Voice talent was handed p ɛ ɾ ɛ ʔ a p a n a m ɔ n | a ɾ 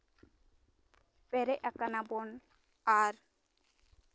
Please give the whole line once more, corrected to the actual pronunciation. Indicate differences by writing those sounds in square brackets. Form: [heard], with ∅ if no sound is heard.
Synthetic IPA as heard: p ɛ ɾ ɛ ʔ a [k] a n a [b] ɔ n | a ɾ